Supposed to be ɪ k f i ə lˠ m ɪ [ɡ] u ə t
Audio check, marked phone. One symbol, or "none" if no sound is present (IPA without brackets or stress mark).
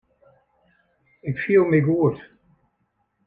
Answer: ɡ